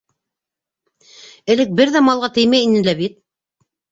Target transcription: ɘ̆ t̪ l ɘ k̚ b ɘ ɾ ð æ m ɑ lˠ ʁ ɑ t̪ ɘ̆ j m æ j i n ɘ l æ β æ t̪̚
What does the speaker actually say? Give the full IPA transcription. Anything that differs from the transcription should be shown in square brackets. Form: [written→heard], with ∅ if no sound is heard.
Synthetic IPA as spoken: ɘ̆ [t̪→∅] l ɘ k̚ b ɘ ɾ ð æ m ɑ lˠ ʁ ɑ t̪ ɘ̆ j m æ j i n ɘ l æ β [æ→i] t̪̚